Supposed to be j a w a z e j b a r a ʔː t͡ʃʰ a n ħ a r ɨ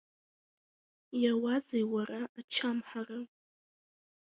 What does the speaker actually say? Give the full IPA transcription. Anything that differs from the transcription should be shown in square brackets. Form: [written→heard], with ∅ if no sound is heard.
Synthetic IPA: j a w a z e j [b→w] a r a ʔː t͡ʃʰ a [n→m] ħ a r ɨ